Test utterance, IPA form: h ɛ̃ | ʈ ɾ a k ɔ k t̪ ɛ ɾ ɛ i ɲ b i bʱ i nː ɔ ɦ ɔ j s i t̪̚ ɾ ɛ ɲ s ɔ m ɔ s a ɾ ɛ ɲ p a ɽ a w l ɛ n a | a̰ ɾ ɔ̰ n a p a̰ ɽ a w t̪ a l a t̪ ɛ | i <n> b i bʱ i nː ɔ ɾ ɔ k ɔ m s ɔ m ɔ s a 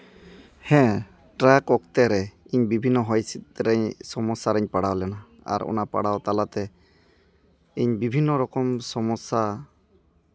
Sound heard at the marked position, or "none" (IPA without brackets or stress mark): ɲ